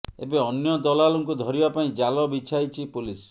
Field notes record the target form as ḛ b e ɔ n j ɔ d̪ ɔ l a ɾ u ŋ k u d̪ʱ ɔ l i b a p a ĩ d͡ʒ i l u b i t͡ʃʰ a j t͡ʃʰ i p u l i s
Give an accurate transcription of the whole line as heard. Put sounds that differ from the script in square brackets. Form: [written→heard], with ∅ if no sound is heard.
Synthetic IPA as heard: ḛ b e ɔ n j ɔ d̪ ɔ l a [ɾ→l] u ŋ k u d̪ʱ ɔ [l→ɾ] i b a p a ĩ d͡ʒ [i→a] l [u→ɔ] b i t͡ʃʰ a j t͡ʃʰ i p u l i s

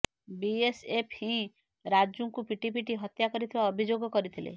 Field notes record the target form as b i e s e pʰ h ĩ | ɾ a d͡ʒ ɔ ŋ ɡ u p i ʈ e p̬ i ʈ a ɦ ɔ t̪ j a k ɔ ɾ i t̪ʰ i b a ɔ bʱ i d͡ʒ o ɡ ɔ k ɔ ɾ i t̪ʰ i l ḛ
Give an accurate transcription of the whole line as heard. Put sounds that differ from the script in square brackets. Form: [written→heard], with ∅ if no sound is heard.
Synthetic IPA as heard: b i e s e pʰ h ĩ | ɾ a d͡ʒ [ɔ→u] ŋ [ɡ→k] u p i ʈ [e→i] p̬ i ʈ [a→i] ɦ ɔ t̪ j a k ɔ ɾ i t̪ʰ i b a ɔ bʱ i d͡ʒ o ɡ ɔ k ɔ ɾ i t̪ʰ i l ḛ

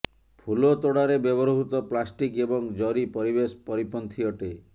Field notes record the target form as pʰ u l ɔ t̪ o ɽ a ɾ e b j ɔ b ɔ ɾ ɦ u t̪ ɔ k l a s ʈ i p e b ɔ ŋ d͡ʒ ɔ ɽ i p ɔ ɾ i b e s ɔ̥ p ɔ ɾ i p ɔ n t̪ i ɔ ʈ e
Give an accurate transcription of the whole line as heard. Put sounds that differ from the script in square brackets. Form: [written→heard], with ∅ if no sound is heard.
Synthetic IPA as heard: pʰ u l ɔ t̪ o ɽ a ɾ e b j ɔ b ɔ ɾ ɦ u t̪ ɔ [k→p] l a s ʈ i [p→k] e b ɔ ŋ d͡ʒ ɔ [ɽ→ɾ] i p ɔ ɾ i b e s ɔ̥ p ɔ ɾ i p ɔ n [t̪→t̪ʰ] i ɔ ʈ e

